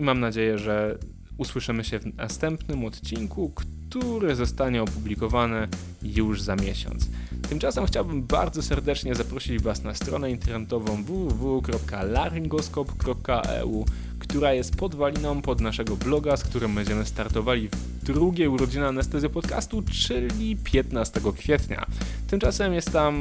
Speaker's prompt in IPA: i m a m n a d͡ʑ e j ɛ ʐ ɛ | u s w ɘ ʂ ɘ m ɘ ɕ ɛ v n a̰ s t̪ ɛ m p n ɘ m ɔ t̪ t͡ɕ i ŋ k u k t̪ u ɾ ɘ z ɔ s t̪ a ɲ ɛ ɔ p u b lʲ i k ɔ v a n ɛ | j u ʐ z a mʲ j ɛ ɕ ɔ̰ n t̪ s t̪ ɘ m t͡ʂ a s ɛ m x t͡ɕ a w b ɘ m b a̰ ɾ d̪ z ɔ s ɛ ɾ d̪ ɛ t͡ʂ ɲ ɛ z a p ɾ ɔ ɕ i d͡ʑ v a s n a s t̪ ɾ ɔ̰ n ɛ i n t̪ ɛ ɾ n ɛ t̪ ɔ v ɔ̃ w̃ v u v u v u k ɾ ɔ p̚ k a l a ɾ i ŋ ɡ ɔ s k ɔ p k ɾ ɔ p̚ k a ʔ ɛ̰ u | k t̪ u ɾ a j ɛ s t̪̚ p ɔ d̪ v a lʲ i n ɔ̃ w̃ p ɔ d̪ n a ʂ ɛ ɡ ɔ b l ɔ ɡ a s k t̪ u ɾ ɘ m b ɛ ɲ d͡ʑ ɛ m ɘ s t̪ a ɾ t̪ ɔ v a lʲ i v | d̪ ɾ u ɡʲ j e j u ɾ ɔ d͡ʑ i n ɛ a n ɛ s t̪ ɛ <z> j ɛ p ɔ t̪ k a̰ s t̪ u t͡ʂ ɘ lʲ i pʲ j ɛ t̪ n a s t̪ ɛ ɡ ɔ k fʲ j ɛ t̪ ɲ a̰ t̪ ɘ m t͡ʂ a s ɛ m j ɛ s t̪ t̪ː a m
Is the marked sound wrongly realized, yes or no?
no